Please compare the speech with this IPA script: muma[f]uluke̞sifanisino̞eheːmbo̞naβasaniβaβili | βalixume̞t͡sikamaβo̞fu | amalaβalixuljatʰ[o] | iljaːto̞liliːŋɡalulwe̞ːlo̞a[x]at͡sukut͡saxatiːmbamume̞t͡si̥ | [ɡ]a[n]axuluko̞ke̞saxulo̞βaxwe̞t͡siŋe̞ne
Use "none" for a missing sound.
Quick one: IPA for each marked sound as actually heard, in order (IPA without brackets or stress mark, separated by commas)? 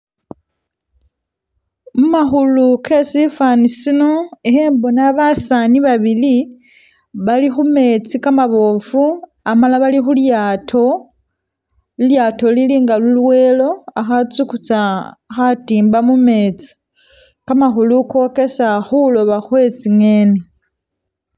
x, o, x, k, m